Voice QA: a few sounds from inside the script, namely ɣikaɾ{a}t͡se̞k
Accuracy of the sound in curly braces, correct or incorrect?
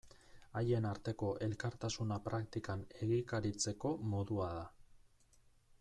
incorrect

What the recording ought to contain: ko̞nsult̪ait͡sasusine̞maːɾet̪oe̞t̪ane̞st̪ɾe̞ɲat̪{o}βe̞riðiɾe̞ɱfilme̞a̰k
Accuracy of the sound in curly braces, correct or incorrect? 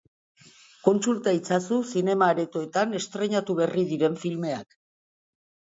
incorrect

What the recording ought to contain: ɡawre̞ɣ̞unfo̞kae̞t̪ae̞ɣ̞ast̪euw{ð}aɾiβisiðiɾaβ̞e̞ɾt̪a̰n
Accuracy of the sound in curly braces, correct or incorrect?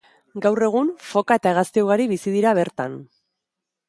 incorrect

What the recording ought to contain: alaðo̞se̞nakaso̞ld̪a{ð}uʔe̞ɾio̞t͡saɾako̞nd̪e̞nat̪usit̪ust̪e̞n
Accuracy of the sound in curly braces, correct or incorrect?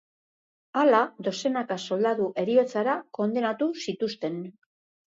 correct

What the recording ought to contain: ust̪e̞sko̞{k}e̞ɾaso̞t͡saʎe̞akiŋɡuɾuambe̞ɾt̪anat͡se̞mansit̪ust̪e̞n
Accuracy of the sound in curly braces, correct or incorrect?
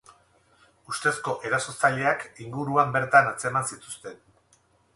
incorrect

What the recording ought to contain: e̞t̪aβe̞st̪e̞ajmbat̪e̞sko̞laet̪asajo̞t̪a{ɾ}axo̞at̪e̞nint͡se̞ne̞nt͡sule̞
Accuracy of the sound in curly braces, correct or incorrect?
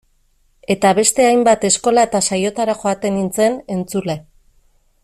correct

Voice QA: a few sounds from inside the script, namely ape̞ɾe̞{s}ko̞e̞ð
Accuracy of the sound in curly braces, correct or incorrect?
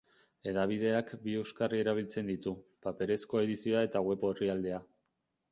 correct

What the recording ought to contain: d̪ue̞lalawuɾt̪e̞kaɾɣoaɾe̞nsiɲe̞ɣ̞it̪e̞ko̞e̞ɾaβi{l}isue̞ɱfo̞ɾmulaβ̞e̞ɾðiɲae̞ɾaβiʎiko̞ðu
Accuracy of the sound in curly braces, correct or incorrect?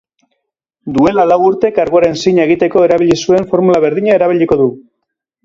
incorrect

